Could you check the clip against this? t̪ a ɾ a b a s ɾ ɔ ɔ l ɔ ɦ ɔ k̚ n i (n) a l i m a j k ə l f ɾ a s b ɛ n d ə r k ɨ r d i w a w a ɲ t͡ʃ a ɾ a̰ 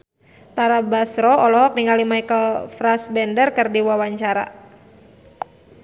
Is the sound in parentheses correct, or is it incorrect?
incorrect